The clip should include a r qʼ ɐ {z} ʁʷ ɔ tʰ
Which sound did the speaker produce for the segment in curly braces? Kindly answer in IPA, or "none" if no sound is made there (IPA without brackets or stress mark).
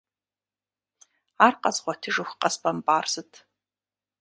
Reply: z